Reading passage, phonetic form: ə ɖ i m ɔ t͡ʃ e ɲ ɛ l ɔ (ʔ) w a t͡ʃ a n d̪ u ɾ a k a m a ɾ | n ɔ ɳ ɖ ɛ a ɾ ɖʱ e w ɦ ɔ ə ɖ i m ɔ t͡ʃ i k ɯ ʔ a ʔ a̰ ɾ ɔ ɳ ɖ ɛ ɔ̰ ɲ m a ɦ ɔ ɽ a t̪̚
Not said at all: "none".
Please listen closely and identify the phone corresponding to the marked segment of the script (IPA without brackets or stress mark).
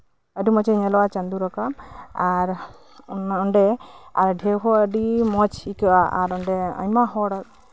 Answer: none